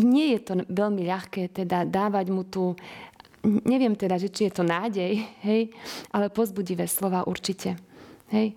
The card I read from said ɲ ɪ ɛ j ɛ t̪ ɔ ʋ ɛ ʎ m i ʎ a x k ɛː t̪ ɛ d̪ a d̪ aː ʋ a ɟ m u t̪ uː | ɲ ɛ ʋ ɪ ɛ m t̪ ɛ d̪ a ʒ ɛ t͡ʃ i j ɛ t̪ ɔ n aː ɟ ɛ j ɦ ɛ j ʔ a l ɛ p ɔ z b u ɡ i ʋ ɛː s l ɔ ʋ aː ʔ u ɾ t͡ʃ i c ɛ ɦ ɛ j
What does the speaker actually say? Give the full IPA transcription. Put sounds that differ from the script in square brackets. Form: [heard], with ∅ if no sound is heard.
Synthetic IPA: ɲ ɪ ɛ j ɛ t̪ ɔ ʋ ɛ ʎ m i ʎ a x k ɛː t̪ ɛ d̪ a d̪ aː ʋ a ɟ m u t̪ uː | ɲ ɛ ʋ ɪ ɛ m t̪ ɛ d̪ a ʒ ɛ t͡ʃ i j ɛ t̪ ɔ n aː ɟ ɛ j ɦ ɛ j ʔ a l ɛ p ɔ z b u [ɟ] i ʋ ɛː s l ɔ ʋ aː ʔ u ɾ t͡ʃ i c ɛ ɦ ɛ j